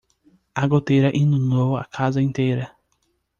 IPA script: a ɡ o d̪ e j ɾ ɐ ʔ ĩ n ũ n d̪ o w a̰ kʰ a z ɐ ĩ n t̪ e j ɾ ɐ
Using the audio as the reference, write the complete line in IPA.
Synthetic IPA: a ɡ o t̪ e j ɾ ɐ ʔ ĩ n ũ n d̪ o w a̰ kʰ a z ɐ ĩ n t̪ e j ɾ ɐ